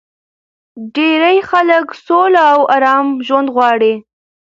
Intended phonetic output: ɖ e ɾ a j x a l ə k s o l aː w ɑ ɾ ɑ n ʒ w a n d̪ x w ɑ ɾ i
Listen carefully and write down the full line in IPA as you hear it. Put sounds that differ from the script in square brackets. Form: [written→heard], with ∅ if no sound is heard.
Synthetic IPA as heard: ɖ e ɾ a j x a l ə k s o l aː w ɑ ɾ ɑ [n→m] ʒ w a n d̪ [x→ɣ] w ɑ [ɾ→ɽ] i